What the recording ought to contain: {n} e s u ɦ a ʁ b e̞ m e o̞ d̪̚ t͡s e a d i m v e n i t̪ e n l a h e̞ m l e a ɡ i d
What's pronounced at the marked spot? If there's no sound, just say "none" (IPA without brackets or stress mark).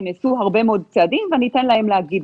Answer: n